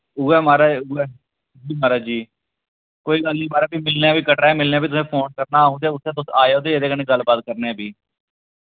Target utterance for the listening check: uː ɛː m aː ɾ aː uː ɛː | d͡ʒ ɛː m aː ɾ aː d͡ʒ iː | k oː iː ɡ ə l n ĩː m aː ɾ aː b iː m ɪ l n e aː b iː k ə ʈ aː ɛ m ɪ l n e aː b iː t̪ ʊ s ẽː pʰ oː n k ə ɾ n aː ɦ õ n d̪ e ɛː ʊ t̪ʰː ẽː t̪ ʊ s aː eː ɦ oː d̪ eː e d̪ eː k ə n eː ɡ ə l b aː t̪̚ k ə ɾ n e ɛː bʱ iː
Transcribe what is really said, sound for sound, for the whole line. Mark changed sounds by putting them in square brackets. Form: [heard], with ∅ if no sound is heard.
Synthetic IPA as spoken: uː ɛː m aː ɾ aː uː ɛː | d͡ʒ [iː] m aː ɾ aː d͡ʒ iː | k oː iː ɡ ə l n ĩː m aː ɾ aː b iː m ɪ l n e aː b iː k ə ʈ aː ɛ m ɪ l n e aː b iː t̪ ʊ s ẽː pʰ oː n k ə ɾ n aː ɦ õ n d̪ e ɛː ʊ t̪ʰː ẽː t̪ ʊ s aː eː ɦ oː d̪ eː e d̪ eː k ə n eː ɡ ə l b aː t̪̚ k ə ɾ n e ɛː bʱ iː

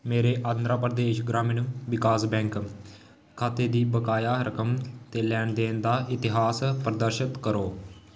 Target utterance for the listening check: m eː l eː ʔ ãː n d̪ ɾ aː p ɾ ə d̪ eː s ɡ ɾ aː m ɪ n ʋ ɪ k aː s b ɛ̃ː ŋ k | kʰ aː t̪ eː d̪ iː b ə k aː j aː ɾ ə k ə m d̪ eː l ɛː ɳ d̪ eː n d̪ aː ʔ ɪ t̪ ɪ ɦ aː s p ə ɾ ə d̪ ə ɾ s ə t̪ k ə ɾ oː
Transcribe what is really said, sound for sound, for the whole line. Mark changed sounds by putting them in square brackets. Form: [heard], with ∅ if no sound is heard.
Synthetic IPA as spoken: m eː [ɾ] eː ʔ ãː n d̪ ɾ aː p ɾ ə d̪ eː [ʃ] ɡ ɾ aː m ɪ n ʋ ɪ k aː s b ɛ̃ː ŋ k | kʰ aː t̪ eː d̪ iː b ə k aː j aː ɾ ə k ə m [t̪] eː l ɛː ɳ d̪ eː n d̪ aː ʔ ɪ t̪ ɪ ɦ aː s p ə ɾ ə d̪ ə ɾ [ʃ] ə t̪ k ə ɾ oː

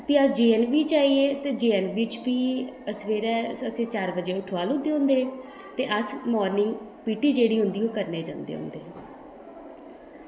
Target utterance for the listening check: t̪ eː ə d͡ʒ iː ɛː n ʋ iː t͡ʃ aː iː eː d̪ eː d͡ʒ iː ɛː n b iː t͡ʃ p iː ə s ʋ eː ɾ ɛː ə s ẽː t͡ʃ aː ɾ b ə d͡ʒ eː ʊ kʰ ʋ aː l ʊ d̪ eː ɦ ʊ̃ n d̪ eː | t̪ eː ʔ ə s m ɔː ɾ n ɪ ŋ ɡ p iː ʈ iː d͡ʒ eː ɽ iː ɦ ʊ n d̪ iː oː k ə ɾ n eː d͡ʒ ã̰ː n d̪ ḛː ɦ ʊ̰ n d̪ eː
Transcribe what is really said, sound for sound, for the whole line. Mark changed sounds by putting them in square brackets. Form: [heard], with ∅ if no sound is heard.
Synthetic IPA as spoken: t̪ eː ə d͡ʒ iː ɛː n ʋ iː t͡ʃ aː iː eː [t̪] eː d͡ʒ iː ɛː n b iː t͡ʃ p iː ə s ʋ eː ɾ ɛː ə s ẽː t͡ʃ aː ɾ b ə d͡ʒ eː ʊ [ʈʰ] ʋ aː l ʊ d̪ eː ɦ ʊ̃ n d̪ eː | t̪ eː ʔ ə s m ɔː ɾ n ɪ ŋ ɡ p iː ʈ iː d͡ʒ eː ɽ iː ɦ ʊ n d̪ iː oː k ə ɾ n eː d͡ʒ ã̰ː n d̪ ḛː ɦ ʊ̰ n d̪ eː

